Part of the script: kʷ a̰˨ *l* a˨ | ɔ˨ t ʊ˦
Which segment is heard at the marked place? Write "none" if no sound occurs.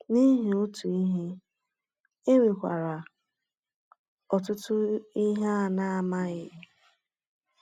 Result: ɾ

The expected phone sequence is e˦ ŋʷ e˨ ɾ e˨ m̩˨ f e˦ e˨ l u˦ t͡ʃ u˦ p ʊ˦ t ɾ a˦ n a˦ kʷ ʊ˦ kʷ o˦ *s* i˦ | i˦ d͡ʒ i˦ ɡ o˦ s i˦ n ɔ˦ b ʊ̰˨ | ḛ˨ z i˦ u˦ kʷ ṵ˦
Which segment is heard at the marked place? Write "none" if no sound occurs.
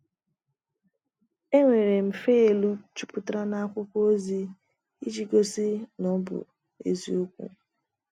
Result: z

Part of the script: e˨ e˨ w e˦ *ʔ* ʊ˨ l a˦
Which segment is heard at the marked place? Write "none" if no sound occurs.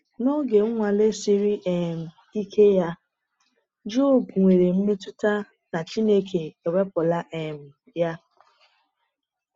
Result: p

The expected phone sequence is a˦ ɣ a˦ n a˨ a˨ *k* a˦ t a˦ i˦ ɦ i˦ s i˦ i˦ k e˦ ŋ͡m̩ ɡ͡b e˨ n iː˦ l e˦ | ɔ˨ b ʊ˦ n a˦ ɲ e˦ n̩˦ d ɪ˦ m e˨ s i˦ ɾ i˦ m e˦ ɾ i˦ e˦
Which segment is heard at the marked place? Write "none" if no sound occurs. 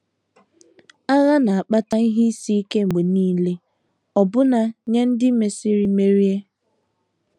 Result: k͡p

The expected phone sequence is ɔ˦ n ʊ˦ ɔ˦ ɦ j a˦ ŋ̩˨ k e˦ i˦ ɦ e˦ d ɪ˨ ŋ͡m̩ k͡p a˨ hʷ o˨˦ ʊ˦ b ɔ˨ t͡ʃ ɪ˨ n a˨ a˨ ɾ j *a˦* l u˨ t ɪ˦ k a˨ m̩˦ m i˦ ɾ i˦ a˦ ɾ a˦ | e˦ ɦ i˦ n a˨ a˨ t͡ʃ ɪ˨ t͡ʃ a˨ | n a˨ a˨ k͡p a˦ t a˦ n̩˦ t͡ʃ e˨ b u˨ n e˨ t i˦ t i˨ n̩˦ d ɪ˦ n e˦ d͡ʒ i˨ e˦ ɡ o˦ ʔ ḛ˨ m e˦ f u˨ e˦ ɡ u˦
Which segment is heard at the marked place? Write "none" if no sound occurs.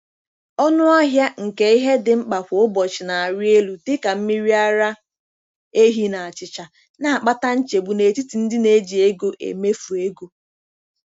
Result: e˦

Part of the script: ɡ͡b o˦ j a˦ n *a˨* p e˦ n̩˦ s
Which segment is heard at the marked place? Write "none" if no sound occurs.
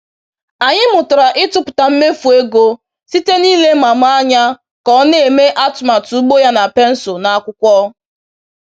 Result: a˨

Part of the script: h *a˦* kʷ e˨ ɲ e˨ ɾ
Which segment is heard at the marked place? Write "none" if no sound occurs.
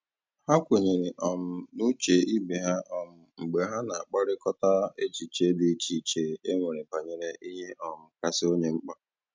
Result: a˦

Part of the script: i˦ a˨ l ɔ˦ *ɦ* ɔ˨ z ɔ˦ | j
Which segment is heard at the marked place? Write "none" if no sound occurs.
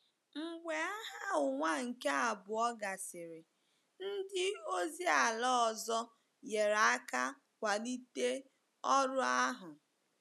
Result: none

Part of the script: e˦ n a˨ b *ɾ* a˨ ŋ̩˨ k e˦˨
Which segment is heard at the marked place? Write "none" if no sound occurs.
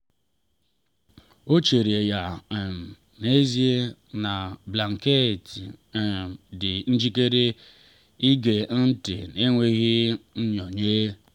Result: l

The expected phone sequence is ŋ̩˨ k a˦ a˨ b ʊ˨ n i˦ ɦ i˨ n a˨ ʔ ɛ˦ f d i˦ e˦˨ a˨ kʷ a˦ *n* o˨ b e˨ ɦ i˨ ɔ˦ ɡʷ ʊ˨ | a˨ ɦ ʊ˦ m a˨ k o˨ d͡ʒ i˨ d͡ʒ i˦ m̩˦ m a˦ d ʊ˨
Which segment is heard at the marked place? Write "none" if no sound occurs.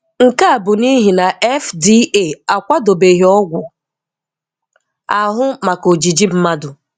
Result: d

